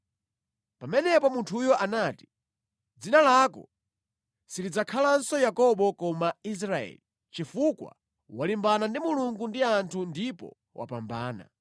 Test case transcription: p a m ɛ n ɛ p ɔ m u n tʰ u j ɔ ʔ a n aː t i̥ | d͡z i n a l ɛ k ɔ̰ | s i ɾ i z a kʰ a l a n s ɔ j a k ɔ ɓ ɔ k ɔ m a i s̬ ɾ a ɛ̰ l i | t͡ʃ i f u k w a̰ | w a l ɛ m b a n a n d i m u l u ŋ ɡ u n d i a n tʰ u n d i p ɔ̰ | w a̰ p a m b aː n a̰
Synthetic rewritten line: p a m ɛ n ɛ p ɔ m u n tʰ u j ɔ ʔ a n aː t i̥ | d͡z i n a l a k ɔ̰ | s i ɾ i d͡z a kʰ a l a n s ɔ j a k ɔ ɓ ɔ k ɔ m a i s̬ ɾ a ɛ̰ l i | t͡ʃ i f u k w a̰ | w a l i m b a n a n d i m u l u ŋ ɡ u n d i a n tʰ u n d i p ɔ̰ | w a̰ p a m b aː n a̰